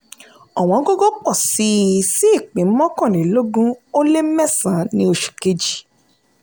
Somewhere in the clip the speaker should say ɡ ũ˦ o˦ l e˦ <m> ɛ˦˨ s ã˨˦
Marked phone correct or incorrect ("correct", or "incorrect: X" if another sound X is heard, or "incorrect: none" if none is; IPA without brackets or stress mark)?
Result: correct